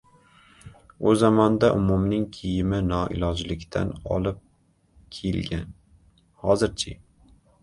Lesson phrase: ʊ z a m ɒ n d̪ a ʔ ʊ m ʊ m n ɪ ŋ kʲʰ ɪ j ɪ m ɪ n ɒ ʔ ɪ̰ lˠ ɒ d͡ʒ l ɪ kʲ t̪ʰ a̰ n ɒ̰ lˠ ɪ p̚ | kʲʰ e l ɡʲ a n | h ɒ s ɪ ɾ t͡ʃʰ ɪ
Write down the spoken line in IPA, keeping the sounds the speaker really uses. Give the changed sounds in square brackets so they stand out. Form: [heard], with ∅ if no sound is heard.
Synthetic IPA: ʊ z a m ɒ n d̪ a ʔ ʊ m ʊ m n ɪ ŋ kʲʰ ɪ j ɪ m ɪ n ɒ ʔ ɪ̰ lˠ ɒ d͡ʒ l ɪ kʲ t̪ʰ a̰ n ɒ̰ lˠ ɪ p̚ | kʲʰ e l ɡʲ a n | h ɒ [z] ɪ ɾ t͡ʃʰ ɪ